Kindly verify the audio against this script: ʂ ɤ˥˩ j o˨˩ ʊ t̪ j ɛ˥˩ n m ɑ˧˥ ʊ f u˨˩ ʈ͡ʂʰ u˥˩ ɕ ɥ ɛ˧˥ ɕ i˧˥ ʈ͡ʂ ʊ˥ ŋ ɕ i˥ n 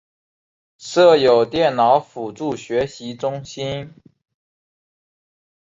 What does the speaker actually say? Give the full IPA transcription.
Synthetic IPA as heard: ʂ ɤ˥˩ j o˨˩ ʊ t̪ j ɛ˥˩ n n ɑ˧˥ ʊ f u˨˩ ʈ͡ʂ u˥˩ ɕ ɥ ɛ˧˥ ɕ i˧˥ ʈ͡ʂ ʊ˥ ŋ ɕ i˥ n